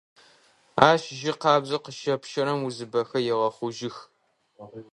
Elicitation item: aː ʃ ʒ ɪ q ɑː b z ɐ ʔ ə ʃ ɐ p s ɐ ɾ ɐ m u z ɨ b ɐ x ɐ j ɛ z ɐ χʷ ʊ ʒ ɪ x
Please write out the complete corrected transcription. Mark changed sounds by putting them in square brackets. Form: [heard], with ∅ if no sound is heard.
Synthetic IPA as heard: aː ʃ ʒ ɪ q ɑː b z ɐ [q] ə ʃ ɐ p [ʃ] ɐ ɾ ɐ m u z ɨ b ɐ x ɐ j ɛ [ʁ] ɐ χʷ ʊ ʒ ɪ x